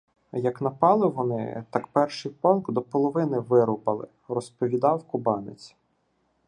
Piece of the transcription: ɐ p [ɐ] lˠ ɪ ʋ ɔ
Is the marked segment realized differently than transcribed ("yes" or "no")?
yes